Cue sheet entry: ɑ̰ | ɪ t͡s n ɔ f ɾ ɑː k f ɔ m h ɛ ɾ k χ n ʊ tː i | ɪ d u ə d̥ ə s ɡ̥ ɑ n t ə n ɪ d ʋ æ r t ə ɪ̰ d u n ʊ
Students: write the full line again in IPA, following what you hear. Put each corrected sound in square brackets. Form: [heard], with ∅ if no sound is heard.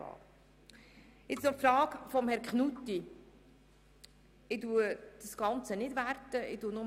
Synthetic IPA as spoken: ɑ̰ | ɪ t͡s n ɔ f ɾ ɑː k f ɔ m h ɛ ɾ k χ n [u] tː i | ɪ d u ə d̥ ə s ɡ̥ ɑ n [t͡s] ə n ɪ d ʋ æ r t ə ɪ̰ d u n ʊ